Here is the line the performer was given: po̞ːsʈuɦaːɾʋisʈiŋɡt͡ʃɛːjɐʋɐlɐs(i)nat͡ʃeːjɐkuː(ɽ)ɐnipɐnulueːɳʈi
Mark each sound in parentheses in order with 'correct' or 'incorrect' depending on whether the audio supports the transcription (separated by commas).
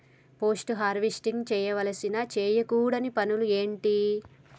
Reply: correct, correct